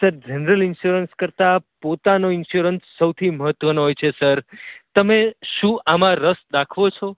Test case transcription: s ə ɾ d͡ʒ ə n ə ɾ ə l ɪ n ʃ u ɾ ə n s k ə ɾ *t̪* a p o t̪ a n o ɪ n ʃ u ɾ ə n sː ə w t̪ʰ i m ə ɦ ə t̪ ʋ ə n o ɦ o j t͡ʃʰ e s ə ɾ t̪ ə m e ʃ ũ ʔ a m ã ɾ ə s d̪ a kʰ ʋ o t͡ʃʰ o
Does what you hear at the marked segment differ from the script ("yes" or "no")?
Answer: no